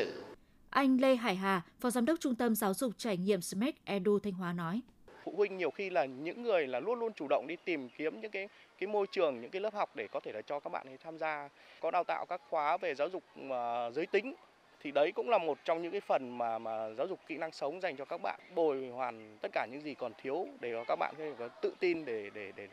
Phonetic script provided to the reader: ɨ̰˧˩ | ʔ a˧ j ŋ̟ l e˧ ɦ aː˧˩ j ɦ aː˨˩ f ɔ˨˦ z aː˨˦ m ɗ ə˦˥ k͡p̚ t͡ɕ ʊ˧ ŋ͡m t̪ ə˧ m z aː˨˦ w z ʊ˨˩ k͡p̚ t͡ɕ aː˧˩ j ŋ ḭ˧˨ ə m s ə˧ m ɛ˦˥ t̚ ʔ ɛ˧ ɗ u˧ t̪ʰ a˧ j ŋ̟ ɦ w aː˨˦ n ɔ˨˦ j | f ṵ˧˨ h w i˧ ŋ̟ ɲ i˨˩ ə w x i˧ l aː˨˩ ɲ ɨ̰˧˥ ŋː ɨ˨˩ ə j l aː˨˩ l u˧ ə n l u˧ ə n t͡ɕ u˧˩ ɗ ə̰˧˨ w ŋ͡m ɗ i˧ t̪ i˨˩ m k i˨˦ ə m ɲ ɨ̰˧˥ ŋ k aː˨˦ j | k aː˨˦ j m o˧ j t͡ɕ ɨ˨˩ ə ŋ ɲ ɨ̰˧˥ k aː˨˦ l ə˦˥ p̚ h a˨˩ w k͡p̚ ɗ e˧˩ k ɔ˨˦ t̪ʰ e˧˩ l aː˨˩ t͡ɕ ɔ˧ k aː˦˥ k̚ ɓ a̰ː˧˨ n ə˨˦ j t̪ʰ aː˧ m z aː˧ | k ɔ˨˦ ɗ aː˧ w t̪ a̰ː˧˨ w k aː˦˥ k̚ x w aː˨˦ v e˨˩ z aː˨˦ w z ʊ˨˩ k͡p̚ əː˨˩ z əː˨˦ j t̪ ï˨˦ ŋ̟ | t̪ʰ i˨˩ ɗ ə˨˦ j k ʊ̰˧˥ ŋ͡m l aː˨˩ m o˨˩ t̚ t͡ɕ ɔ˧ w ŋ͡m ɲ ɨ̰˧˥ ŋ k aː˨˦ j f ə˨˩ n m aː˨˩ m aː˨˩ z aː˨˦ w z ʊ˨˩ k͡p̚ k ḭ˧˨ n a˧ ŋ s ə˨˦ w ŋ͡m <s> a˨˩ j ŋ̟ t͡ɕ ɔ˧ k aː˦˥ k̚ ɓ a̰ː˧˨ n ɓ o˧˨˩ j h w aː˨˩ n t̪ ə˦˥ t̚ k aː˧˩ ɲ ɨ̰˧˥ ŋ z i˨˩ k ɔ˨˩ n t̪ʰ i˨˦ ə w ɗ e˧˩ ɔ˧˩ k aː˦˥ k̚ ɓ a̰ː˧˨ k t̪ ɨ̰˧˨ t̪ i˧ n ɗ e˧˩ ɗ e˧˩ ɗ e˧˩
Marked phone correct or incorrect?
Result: incorrect